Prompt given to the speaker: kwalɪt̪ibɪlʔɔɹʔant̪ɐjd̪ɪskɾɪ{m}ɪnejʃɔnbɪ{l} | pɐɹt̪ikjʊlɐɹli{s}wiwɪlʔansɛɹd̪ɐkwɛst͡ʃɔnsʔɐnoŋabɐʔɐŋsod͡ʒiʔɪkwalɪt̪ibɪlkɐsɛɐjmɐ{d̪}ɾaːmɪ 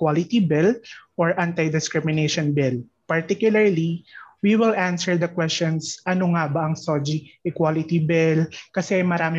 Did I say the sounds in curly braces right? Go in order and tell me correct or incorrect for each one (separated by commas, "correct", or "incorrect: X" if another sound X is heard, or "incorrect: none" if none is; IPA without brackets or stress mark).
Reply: correct, correct, incorrect: none, incorrect: none